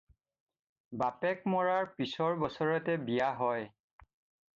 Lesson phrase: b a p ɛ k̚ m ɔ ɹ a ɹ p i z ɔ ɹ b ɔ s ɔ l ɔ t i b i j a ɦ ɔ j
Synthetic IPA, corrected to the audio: b a p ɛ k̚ m ɔ ɹ a ɹ p i s ɔ ɹ b ɔ s ɔ ɹ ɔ t ɛ b i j a ɦ ɔ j